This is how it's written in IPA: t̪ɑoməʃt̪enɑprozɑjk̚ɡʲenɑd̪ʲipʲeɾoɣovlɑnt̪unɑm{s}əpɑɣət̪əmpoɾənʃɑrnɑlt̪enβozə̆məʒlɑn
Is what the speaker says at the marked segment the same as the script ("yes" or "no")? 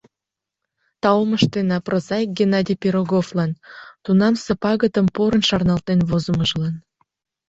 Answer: yes